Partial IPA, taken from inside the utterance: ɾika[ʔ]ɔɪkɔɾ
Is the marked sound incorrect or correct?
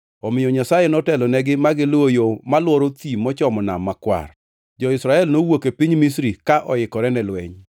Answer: correct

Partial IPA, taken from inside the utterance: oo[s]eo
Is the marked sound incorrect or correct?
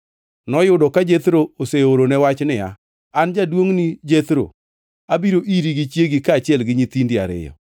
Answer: correct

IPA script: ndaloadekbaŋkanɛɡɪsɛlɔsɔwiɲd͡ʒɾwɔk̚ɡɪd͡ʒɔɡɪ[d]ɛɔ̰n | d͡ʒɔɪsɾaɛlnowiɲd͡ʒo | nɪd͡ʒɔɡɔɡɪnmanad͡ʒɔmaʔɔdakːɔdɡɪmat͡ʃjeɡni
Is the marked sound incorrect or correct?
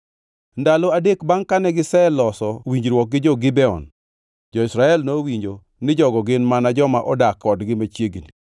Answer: incorrect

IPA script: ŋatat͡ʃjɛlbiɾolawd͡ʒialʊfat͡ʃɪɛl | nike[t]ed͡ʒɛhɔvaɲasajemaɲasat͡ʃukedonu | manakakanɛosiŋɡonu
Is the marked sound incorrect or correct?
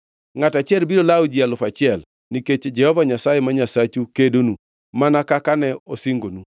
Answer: incorrect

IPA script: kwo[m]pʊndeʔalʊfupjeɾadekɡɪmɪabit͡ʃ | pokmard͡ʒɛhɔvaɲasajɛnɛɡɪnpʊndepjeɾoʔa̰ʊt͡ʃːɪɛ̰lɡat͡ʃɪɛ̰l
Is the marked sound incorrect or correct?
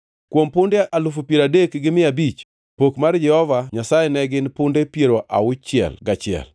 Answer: correct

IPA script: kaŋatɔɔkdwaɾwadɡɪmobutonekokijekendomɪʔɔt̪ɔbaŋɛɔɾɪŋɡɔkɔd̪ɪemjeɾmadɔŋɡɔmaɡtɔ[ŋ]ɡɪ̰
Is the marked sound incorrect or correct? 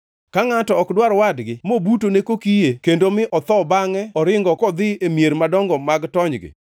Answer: incorrect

